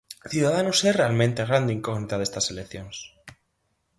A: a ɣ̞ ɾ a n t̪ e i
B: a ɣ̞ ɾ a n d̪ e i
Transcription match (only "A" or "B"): B